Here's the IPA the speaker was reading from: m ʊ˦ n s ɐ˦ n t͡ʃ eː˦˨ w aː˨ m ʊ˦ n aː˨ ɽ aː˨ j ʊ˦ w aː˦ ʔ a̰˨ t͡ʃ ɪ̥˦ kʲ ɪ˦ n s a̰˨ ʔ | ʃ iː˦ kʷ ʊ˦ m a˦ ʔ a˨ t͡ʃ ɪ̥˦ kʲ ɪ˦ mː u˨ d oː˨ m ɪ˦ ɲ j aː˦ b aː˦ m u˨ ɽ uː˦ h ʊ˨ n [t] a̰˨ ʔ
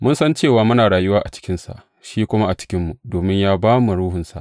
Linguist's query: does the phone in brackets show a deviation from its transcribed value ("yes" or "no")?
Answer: yes